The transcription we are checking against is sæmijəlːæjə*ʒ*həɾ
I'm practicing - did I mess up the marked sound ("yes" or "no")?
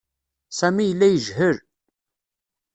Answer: no